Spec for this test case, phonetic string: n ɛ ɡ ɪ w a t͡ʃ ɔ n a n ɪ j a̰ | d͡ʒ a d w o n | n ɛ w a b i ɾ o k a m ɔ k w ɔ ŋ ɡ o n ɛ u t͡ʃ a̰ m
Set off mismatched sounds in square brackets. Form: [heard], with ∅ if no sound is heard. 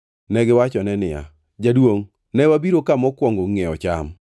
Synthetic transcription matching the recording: n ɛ ɡ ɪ w a t͡ʃ ɔ n [ɛ] n ɪ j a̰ | d͡ʒ a d w o [ŋ] | n ɛ w a b i ɾ o k a m ɔ k w ɔ ŋ ɡ o [ŋ] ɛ [ɔ] t͡ʃ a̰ m